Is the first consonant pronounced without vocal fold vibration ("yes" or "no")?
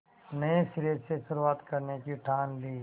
no